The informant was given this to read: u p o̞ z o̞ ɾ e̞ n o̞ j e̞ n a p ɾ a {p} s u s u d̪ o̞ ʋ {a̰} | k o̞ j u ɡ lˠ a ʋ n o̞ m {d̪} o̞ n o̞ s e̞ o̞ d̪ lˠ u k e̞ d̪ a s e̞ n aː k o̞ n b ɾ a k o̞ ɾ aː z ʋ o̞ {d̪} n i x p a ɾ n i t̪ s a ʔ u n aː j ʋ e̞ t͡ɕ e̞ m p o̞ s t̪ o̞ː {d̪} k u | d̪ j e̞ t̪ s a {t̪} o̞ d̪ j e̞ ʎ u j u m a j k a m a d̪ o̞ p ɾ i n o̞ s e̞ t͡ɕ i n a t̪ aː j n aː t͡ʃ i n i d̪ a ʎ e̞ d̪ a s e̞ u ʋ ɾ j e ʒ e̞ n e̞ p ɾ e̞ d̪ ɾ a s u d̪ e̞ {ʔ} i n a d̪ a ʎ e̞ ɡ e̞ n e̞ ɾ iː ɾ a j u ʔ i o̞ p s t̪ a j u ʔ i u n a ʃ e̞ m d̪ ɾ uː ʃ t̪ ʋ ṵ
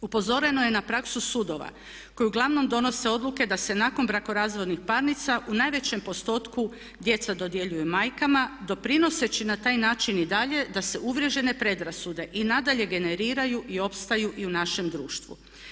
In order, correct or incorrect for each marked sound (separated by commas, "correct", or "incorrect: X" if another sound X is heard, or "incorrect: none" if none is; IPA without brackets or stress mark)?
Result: incorrect: k, correct, correct, correct, incorrect: t̪, incorrect: d̪, correct